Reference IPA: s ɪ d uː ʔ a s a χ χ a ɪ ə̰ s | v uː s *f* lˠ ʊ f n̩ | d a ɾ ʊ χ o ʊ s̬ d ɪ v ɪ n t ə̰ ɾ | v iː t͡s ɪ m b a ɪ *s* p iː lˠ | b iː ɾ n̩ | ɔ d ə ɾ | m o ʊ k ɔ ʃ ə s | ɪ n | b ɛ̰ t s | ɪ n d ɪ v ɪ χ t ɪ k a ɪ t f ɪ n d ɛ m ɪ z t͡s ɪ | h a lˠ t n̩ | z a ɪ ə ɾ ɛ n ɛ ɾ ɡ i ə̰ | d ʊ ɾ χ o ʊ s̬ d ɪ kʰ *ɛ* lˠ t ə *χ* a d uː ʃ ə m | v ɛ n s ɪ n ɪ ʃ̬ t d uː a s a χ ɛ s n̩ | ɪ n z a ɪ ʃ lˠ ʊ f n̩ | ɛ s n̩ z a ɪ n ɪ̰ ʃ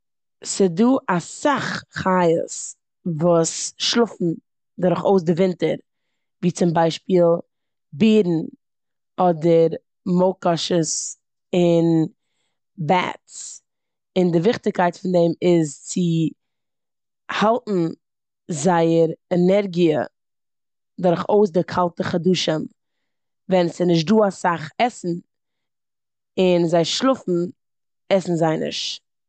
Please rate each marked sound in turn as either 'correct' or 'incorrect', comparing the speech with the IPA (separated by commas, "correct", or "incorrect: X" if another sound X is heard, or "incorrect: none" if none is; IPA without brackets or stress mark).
incorrect: ʃ, incorrect: ʃ, incorrect: a, correct